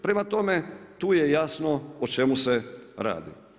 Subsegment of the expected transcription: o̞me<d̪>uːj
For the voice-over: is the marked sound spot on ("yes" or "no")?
no